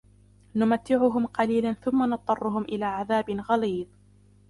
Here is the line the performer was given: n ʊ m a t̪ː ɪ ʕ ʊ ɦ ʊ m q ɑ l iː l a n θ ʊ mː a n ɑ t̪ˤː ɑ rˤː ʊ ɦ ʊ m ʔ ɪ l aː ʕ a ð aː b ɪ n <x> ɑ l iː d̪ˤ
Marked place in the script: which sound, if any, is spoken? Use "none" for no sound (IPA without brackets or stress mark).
ɣ